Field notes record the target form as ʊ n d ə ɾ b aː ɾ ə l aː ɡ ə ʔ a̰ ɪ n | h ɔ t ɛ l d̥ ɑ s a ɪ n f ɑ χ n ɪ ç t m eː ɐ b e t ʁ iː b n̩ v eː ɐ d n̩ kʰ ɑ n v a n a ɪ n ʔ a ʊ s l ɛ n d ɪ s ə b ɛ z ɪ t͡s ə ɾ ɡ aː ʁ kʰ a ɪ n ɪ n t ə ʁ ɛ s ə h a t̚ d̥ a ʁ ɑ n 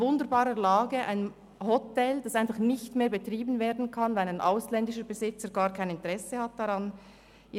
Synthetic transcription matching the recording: ʊ n d ə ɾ b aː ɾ ə l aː ɡ ə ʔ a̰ ɪ n | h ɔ t ɛ l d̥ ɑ s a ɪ n f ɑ χ n ɪ ç t m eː ɐ b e t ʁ iː b n̩ v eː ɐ d n̩ kʰ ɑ n v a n a ɪ n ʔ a ʊ s l ɛ n d ɪ ʃ ə b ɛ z ɪ t͡s ə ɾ ɡ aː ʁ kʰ a ɪ n ɪ n t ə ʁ ɛ s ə h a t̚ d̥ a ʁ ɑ n